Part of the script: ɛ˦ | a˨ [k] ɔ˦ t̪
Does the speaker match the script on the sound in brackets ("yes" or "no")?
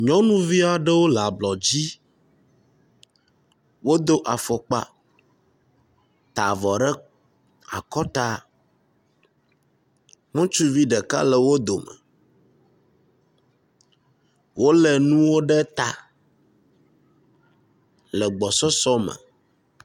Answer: yes